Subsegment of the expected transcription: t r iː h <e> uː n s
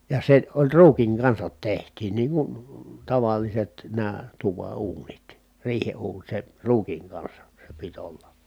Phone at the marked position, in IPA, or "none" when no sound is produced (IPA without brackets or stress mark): e